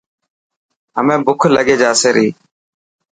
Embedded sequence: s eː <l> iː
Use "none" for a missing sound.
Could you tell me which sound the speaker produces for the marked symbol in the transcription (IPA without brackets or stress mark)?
ɾ